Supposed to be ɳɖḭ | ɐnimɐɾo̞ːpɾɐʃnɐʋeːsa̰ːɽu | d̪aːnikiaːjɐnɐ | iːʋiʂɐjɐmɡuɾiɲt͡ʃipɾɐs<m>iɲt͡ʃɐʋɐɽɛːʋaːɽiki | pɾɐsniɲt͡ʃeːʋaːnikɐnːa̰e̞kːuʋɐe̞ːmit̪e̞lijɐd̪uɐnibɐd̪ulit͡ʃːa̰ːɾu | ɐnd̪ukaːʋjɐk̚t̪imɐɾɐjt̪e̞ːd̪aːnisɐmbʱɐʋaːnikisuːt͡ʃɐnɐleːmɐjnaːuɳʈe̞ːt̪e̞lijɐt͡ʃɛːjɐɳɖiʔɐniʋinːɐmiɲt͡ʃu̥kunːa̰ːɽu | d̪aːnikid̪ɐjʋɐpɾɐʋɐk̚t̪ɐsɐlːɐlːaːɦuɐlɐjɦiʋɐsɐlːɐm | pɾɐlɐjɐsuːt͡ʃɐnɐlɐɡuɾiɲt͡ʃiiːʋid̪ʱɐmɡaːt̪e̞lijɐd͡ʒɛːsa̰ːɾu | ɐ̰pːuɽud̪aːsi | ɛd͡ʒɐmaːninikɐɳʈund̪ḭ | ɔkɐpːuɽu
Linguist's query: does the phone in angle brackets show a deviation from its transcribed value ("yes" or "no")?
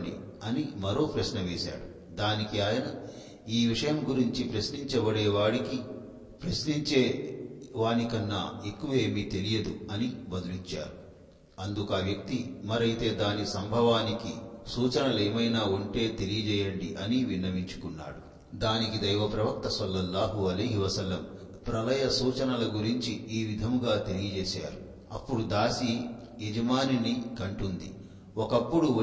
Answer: yes